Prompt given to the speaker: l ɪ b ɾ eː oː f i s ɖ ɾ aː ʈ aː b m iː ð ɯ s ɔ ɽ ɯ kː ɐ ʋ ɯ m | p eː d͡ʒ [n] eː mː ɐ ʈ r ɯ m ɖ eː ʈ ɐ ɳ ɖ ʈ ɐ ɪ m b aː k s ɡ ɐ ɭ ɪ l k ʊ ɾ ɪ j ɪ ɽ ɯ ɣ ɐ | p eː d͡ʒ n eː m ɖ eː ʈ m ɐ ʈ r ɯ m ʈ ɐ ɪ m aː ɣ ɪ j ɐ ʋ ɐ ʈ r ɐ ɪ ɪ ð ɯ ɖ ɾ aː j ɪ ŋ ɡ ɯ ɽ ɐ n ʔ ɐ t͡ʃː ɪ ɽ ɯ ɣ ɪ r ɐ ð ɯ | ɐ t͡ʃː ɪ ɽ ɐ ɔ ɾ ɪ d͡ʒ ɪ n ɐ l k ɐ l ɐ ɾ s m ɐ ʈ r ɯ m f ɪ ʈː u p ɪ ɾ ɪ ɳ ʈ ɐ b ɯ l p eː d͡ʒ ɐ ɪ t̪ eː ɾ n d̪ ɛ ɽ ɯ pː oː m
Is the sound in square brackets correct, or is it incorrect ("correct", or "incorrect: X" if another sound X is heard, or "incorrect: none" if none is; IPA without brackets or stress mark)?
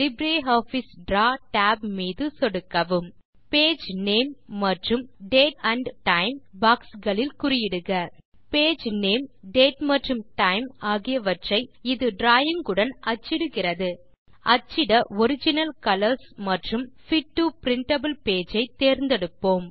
correct